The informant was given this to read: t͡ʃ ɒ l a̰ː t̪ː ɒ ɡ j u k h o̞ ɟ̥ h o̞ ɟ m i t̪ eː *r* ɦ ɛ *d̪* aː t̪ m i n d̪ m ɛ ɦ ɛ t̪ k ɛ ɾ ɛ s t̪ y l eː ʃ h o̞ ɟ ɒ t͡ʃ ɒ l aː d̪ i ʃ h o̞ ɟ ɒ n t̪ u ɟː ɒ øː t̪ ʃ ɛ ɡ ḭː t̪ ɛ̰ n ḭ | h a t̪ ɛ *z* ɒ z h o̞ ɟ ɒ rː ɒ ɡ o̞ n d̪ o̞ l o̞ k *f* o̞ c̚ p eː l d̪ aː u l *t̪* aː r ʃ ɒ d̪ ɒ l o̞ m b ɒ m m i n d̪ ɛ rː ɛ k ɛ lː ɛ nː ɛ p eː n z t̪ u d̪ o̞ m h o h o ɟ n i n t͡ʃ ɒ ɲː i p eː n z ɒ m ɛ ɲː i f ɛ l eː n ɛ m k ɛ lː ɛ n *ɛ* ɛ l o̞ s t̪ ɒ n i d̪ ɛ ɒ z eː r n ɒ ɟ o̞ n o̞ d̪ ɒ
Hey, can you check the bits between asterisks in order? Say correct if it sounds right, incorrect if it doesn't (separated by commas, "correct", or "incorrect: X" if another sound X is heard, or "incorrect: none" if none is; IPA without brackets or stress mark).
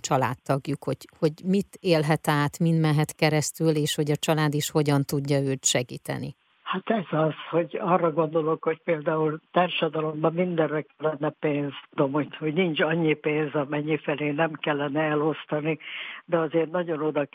incorrect: l, incorrect: t̪, correct, incorrect: h, correct, correct